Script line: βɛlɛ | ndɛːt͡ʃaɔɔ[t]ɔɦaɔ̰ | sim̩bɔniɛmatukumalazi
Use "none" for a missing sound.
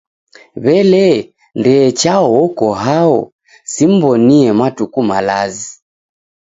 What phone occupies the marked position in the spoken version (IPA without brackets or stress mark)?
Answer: k